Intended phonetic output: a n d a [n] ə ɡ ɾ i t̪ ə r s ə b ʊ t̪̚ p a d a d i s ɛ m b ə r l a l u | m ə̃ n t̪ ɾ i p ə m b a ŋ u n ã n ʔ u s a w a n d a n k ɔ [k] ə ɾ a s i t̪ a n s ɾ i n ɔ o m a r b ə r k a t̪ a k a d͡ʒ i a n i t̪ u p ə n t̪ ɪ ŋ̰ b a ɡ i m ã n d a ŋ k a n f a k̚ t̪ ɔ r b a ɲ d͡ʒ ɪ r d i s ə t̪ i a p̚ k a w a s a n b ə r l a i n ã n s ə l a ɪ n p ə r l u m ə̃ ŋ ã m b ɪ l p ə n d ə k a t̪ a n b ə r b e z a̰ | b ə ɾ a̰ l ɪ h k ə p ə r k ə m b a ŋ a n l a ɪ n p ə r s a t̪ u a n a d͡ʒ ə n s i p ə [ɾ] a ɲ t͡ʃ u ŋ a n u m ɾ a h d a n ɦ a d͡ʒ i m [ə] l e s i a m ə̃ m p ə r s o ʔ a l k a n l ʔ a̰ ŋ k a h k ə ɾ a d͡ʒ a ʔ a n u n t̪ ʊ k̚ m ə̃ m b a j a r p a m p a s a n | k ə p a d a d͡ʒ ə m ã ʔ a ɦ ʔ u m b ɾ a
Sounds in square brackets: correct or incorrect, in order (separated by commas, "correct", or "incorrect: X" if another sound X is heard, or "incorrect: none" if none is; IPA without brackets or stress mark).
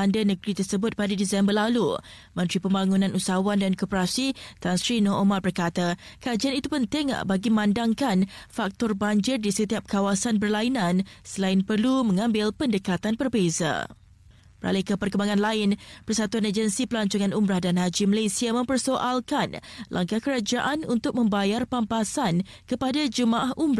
correct, incorrect: p, incorrect: l, correct